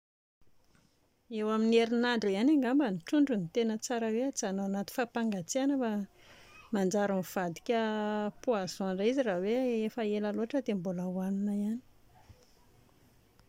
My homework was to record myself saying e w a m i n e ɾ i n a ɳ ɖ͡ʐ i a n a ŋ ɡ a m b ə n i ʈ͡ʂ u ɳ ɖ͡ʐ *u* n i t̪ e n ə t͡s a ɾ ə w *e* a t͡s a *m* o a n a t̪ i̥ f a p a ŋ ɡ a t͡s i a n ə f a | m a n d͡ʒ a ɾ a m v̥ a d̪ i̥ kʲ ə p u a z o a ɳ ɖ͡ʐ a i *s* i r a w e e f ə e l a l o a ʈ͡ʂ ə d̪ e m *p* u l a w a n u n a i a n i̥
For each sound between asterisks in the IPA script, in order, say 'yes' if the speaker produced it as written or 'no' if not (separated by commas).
yes, yes, no, no, no